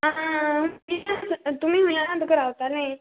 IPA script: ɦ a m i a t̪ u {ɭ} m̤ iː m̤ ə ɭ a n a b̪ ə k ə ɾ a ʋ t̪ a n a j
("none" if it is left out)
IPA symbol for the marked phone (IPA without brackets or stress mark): none